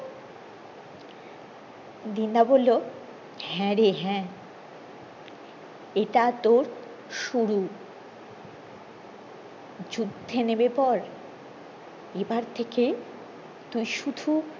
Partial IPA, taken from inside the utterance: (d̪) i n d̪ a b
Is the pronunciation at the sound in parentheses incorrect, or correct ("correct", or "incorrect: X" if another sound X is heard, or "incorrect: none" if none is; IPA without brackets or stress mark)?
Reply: correct